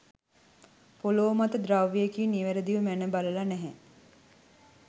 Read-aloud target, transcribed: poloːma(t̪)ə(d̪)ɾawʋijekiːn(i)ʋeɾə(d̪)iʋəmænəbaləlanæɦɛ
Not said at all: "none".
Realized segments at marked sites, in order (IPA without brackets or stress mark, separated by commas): t̪, d̪, i, d̪